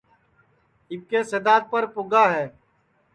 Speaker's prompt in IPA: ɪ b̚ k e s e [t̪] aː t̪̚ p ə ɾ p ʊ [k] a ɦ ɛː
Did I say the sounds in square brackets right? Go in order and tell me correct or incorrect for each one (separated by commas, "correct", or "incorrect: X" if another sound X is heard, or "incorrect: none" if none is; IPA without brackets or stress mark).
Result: incorrect: d̪, incorrect: ɡ